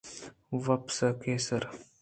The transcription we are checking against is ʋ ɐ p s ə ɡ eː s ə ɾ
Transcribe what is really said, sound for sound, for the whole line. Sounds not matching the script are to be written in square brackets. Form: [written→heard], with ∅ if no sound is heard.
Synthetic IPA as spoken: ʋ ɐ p s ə [ɡ→k] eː s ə ɾ